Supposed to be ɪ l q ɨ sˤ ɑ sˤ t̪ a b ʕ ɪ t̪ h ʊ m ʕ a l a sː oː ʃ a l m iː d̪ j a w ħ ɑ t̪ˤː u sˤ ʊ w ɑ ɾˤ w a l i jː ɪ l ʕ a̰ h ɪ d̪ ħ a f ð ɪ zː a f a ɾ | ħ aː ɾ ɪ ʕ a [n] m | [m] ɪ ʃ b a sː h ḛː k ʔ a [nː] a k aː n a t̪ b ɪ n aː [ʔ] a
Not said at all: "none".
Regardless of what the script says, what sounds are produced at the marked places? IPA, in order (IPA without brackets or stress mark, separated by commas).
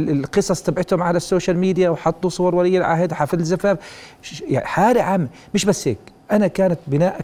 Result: none, m, n, ʔ